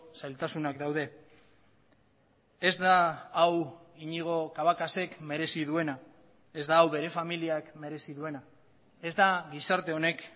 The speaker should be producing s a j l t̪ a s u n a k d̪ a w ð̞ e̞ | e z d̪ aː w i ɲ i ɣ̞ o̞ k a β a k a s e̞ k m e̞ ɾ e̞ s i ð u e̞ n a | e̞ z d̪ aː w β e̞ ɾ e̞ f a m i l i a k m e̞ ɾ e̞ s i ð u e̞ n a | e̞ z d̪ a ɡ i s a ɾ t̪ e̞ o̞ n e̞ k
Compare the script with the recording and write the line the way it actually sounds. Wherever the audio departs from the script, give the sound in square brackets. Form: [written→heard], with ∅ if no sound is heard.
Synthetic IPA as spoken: s a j l t̪ a s u n a k d̪ a w ð̞ e̞ | e z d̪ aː w i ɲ i ɣ̞ o̞ k a β a k a s e̞ k m e̞ ɾ e̞ s i ð u e̞ n a | e̞ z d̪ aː w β e̞ ɾ e̞ f a m i l i a k m e̞ ɾ e̞ s i ð u e̞ n a | e̞ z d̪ a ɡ i s a ɾ t̪ e̞ o̞ n e̞ k